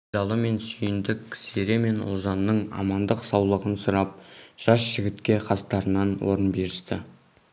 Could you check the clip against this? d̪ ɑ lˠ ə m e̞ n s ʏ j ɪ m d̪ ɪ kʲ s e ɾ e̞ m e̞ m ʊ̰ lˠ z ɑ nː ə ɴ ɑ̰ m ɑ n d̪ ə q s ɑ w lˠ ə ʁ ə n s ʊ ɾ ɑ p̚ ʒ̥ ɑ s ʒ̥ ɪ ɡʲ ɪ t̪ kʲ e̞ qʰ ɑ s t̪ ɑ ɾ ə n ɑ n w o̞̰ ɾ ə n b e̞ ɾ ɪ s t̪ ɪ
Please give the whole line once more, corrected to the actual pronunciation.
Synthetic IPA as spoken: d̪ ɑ lˠ ə m e̞ n s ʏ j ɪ n d̪ ɪ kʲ s e ɾ e̞ m e̞ n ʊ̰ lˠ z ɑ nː ə ɴ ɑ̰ m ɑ n d̪ ə q s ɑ w lˠ ə ʁ ə n s ʊ ɾ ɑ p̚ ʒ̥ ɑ s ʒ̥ ɪ ɡʲ ɪ t̪ kʲ e̞ qʰ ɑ s t̪ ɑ ɾ ə n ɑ n w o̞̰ ɾ ə n b e̞ ɾ ɪ s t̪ ɪ